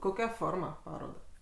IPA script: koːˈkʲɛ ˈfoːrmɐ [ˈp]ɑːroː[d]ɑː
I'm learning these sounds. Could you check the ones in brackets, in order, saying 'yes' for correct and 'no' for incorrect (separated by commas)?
yes, yes